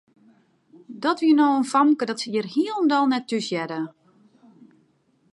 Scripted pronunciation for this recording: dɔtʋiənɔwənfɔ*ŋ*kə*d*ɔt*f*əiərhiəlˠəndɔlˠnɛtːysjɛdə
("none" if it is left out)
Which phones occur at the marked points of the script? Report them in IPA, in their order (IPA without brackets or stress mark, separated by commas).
m, d, s